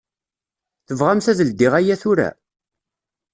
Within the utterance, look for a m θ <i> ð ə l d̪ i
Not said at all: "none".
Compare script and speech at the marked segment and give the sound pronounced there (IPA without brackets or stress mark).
æ